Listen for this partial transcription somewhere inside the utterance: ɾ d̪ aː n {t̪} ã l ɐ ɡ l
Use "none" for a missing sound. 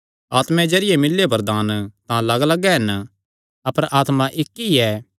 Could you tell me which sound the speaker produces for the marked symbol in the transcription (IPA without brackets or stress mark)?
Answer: t̪